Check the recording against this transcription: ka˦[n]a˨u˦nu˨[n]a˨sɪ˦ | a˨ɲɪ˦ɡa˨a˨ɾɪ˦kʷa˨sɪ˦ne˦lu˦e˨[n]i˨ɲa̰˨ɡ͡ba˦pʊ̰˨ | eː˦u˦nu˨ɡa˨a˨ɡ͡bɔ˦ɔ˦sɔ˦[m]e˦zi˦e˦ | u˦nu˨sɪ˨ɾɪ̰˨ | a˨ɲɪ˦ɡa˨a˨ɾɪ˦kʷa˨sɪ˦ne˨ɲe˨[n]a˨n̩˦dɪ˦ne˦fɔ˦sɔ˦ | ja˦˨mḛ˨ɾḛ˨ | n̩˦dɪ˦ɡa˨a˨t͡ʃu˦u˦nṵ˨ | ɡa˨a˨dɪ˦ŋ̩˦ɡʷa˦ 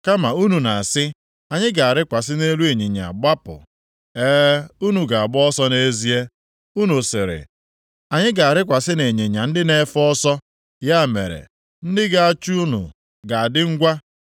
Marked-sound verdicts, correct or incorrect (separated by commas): incorrect, correct, incorrect, incorrect, incorrect